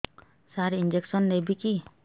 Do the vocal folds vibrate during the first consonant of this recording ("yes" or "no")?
no